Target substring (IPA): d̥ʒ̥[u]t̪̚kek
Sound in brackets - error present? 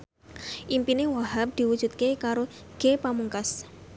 no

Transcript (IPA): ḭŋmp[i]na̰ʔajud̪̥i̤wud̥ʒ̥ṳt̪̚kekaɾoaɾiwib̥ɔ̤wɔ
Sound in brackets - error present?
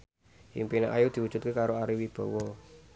no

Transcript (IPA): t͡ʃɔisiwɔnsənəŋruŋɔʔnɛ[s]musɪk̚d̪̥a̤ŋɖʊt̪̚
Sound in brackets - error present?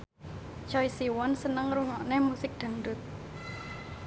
yes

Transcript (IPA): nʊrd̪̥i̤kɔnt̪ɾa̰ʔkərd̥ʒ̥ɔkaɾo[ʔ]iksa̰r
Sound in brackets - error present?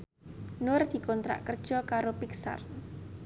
yes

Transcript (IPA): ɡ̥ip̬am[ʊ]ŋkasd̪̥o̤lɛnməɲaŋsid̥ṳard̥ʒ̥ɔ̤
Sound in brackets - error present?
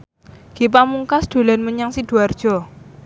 yes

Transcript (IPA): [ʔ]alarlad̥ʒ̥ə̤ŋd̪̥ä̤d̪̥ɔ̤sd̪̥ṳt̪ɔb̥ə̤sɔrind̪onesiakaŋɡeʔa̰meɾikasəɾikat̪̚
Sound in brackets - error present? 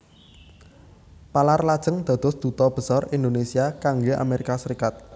yes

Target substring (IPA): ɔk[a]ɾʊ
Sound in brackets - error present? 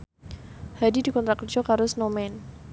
no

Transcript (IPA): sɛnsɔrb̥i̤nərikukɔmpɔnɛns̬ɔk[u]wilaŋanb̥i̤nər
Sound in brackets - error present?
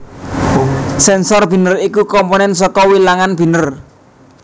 yes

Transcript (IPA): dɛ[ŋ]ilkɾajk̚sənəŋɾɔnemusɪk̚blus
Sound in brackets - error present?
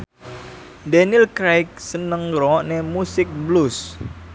yes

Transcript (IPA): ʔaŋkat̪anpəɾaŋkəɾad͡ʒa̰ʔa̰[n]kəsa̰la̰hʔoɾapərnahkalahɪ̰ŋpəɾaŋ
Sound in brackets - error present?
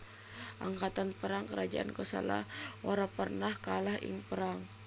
no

